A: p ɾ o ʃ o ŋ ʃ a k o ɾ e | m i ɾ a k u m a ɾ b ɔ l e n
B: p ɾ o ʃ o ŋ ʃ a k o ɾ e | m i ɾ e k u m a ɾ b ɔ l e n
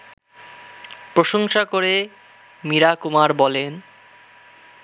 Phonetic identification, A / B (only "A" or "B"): A